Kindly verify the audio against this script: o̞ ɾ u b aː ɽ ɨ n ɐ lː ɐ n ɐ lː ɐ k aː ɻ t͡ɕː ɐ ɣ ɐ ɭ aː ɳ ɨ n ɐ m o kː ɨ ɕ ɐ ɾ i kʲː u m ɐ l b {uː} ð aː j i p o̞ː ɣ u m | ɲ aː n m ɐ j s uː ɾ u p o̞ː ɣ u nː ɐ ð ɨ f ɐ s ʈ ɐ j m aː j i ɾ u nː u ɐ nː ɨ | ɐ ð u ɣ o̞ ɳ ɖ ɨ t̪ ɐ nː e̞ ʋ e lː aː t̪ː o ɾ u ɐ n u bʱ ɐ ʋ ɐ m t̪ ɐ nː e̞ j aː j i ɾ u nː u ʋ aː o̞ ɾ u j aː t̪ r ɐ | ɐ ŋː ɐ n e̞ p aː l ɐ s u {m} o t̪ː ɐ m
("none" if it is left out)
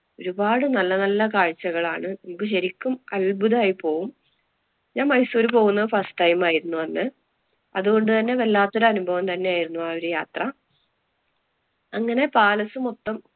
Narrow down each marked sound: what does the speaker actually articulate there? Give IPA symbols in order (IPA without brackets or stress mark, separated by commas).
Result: u, m